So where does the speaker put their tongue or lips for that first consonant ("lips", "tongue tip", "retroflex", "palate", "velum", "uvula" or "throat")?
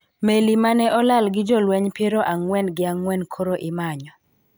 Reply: lips